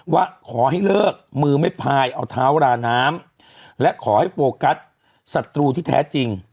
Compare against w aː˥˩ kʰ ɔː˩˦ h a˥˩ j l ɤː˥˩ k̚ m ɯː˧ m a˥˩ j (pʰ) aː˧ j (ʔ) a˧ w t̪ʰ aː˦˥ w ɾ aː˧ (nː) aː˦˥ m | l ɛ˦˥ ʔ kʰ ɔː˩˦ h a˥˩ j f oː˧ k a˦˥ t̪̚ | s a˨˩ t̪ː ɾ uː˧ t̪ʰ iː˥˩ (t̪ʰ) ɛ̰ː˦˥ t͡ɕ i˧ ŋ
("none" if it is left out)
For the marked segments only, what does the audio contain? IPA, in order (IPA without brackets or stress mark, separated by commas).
pʰ, ʔ, n, t̪ʰ